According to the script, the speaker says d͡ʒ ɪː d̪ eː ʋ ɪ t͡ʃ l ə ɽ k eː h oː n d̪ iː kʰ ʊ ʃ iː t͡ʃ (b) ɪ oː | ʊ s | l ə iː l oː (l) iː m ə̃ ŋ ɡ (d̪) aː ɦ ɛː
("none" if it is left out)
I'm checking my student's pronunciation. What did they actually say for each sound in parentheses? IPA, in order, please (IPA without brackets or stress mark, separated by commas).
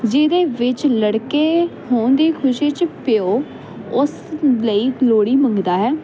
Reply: p, ɽ, d̪